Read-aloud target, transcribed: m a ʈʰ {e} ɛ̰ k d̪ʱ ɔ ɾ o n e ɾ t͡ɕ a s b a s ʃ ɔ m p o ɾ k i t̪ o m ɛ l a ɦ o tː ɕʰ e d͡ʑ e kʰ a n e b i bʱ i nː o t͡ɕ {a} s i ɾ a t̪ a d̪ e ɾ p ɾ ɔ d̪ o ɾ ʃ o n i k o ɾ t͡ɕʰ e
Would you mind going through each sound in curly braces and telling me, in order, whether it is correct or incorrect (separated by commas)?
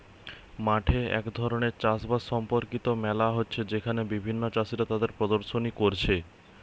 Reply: correct, correct